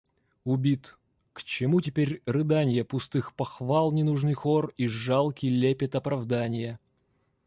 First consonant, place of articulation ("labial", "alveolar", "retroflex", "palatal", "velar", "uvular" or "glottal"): labial